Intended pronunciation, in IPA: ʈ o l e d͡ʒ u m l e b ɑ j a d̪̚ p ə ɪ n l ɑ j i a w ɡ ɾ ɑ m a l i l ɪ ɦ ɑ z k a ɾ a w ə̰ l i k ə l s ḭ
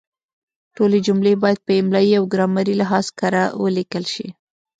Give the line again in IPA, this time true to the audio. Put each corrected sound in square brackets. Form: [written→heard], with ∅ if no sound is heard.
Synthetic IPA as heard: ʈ o l e d͡ʒ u m l e b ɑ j a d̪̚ p ə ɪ [n→m] l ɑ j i a w ɡ ɾ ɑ m a [l→ɾ] i l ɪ ɦ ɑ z k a ɾ a w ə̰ l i k ə l [s→ʃ] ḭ

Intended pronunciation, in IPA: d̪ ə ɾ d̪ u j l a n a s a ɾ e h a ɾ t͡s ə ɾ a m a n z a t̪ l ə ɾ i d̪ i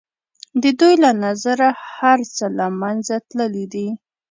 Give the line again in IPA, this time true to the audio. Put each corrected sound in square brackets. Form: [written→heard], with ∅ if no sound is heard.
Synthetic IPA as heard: d̪ ə [ɾ→∅] d̪ u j l a n a [s→z] a ɾ [e→a] h a ɾ t͡s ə [ɾ→l] a m a n z a t̪ l ə [ɾ→l] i d̪ i

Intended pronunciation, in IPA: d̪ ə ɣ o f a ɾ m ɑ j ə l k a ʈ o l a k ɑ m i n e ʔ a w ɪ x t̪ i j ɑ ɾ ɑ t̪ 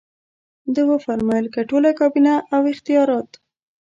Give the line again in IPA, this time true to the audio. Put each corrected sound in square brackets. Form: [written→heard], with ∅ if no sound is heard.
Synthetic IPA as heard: d̪ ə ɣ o f a ɾ m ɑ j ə l k a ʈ o l a k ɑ [m→b] i n [e→a] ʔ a w ɪ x t̪ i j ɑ ɾ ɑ t̪

